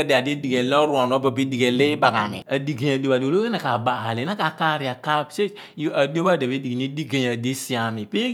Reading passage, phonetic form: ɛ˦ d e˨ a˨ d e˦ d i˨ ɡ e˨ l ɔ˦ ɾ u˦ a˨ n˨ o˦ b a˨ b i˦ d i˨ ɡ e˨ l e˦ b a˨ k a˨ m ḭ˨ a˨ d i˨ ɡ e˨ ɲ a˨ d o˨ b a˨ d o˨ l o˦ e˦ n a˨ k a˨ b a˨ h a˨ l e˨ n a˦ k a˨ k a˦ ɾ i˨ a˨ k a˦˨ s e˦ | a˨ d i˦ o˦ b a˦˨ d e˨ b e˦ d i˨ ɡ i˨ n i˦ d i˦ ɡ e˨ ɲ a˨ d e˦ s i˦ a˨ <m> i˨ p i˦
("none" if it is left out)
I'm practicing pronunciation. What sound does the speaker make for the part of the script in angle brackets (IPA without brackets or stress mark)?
m